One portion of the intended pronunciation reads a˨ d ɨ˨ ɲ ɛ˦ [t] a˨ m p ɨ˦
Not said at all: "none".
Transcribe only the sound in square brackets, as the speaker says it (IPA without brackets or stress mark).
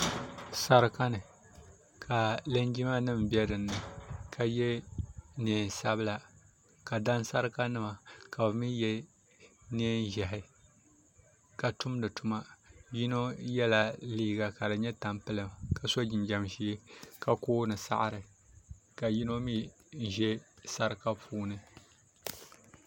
t